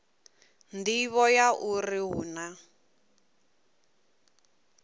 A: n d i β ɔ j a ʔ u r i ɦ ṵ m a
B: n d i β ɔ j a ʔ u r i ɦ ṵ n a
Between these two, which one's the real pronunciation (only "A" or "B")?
B